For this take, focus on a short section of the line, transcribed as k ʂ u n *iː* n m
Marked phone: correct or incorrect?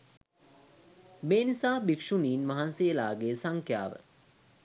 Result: correct